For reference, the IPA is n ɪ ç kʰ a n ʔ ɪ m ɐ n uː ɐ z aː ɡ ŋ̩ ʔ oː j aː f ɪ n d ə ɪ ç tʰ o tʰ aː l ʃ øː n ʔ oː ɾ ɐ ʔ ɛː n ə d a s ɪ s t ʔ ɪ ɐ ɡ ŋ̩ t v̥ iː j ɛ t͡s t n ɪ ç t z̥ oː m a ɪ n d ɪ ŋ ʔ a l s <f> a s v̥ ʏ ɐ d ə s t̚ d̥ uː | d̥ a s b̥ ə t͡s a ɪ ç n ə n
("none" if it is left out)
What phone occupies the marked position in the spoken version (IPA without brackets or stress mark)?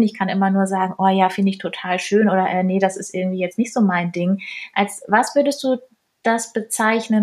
v